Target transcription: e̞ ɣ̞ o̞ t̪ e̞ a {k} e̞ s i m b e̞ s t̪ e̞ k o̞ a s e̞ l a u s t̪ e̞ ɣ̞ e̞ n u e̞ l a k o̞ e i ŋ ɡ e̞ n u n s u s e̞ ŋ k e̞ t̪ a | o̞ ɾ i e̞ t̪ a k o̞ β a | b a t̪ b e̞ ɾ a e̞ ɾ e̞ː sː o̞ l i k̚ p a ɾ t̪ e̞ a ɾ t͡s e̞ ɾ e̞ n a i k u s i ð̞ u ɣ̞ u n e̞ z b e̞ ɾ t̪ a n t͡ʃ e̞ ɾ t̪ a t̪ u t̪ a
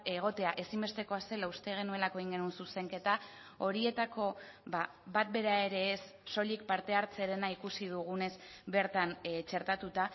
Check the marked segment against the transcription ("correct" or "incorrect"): incorrect